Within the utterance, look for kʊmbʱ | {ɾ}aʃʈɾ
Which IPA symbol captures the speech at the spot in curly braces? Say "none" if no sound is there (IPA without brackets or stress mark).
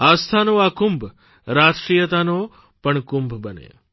ɾ